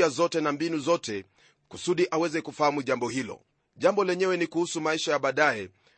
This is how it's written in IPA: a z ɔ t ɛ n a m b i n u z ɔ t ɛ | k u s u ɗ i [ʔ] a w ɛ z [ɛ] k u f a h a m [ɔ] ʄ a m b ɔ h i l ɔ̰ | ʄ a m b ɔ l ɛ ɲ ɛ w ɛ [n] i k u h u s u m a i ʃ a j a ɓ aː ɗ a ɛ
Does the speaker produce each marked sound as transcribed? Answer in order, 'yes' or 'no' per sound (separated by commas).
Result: yes, yes, no, yes